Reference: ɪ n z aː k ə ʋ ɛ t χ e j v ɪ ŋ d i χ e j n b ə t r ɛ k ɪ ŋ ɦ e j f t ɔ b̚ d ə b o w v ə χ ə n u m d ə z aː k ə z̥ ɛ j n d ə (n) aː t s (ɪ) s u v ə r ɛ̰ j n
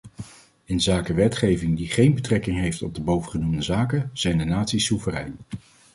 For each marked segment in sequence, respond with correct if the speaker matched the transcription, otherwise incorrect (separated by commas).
correct, incorrect